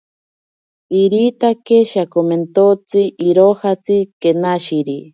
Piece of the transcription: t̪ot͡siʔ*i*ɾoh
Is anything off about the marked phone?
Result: no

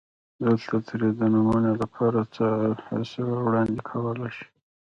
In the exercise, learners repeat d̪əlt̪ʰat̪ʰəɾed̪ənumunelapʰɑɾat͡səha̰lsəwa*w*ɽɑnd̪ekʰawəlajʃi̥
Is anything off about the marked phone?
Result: no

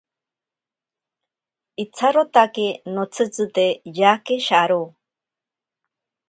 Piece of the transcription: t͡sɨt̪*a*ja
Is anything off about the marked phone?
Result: yes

